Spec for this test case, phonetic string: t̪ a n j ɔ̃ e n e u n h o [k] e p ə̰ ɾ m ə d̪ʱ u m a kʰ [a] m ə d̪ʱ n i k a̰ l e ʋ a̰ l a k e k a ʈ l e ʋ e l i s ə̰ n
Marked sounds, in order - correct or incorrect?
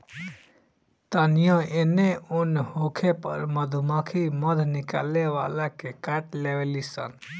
incorrect: kʰ, incorrect: i

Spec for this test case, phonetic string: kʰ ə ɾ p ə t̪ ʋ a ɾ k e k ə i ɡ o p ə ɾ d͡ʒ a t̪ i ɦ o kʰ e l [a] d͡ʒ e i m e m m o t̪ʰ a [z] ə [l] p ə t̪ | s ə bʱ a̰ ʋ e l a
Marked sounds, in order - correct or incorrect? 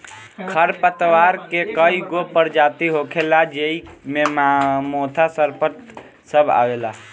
correct, incorrect: s, incorrect: ɾ

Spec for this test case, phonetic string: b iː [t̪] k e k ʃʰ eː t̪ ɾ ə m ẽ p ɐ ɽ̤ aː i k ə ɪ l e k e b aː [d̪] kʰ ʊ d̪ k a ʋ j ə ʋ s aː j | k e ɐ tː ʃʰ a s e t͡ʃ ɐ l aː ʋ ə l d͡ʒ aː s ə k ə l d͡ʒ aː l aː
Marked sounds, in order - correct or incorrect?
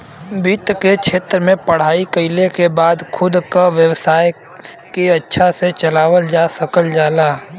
correct, correct

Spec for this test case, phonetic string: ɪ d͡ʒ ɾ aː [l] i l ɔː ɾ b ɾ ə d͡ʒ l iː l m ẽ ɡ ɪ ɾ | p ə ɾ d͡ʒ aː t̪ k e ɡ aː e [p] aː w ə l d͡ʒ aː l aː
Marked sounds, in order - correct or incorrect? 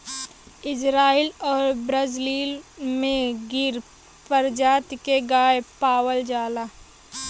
incorrect: none, correct

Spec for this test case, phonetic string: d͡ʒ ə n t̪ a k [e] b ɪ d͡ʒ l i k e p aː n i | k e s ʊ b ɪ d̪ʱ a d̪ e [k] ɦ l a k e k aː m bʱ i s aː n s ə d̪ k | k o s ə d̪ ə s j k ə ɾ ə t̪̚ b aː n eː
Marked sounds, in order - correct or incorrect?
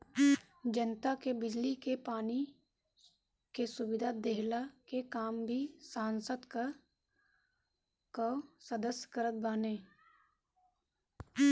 correct, incorrect: none

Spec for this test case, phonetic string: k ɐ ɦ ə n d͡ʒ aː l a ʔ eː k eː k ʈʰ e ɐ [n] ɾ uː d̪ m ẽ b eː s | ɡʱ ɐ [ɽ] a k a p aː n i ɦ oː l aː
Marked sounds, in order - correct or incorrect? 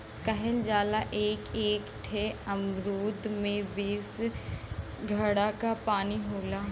incorrect: m, correct

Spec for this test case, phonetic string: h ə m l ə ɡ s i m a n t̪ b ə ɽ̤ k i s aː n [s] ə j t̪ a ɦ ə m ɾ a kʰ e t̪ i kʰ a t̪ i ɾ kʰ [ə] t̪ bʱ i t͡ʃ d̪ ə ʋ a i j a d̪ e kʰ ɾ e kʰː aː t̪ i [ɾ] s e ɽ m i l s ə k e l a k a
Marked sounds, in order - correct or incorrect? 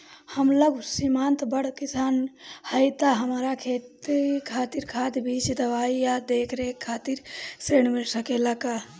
incorrect: h, incorrect: a, correct

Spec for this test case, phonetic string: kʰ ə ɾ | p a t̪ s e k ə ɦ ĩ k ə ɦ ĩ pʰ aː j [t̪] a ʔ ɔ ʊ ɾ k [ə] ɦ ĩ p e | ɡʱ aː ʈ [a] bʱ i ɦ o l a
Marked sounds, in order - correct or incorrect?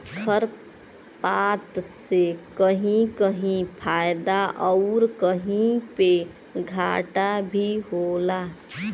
incorrect: d̪, correct, correct

